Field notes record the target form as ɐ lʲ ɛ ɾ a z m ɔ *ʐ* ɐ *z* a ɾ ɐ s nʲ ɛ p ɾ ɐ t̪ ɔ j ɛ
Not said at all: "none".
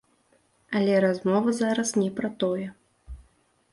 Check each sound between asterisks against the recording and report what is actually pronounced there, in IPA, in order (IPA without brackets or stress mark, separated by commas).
v, z